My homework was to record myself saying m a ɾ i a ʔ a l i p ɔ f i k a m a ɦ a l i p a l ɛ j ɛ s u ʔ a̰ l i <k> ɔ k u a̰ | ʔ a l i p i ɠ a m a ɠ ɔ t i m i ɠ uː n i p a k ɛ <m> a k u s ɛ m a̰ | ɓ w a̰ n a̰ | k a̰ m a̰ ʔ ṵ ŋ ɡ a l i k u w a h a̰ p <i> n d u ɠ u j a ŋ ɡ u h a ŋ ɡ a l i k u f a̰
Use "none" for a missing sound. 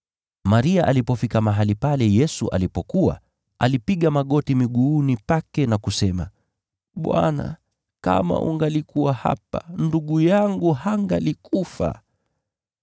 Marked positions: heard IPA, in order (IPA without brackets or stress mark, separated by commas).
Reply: p, n, a